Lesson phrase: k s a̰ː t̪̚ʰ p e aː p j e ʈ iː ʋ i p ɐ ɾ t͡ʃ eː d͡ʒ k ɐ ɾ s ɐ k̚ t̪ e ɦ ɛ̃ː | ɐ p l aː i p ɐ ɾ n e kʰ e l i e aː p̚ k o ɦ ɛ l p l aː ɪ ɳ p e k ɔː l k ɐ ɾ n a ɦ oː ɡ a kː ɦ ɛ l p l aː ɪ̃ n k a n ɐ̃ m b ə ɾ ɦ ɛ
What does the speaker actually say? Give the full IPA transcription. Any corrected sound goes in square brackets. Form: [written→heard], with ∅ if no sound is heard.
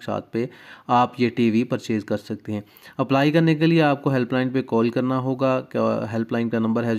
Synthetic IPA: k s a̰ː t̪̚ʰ p e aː p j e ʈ iː ʋ i p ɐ ɾ t͡ʃ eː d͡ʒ k ɐ ɾ s ɐ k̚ t̪ e ɦ ɛ̃ː | ɐ p l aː i [p→k] ɐ ɾ n e [kʰ→k] e l i e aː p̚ k o ɦ ɛ l p l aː ɪ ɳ p e k ɔː l k ɐ ɾ n a ɦ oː ɡ a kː ɦ ɛ l p l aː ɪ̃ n k a n ɐ̃ m b ə ɾ ɦ ɛ